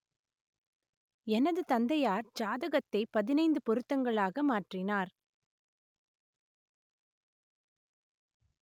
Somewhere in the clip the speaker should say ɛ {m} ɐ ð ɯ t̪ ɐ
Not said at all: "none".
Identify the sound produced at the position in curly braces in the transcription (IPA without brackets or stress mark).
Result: n